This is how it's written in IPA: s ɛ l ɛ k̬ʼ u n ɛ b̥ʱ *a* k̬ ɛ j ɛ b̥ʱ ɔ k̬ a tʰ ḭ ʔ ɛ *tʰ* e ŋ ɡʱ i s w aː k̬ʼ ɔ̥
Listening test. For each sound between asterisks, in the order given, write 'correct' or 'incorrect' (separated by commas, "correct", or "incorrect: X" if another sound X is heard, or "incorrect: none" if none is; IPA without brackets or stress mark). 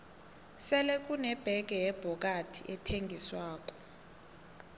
incorrect: ɛ, correct